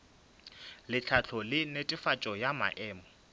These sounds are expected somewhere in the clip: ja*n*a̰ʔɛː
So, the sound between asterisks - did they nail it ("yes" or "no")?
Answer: no